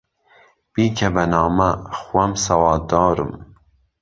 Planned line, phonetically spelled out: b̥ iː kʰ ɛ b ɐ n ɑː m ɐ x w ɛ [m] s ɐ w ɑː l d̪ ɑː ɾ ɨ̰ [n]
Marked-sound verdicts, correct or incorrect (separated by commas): correct, incorrect